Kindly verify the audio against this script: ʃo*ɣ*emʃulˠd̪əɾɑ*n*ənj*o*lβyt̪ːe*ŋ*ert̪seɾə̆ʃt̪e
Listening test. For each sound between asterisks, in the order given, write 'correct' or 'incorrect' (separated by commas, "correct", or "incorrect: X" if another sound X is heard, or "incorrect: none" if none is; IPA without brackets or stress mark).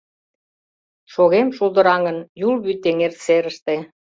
correct, incorrect: ŋ, incorrect: u, correct